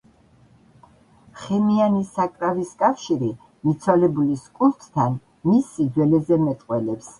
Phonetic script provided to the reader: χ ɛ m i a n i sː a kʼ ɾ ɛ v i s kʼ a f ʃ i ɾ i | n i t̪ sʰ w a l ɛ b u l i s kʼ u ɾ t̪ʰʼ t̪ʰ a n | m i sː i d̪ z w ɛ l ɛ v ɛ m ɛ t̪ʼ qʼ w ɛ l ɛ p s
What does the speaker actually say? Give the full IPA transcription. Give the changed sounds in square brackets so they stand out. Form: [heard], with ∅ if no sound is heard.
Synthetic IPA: χ ɛ m i a n i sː a kʼ ɾ [a] v i s kʼ a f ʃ i ɾ i | [m] i t̪ sʰ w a l ɛ b u l i s kʼ u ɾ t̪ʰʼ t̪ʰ a n | m i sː i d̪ z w ɛ l ɛ [z] ɛ m ɛ t̪ʼ qʼ w ɛ l ɛ p s